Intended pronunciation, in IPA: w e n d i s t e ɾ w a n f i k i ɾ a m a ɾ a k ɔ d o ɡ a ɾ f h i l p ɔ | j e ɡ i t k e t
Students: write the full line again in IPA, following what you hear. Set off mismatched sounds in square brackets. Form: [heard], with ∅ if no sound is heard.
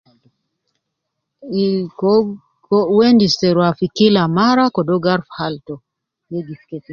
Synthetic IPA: w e n d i s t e ɾ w a [∅] f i k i [l] a m a ɾ a k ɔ d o ɡ a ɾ f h [a] l [t] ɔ | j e ɡ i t k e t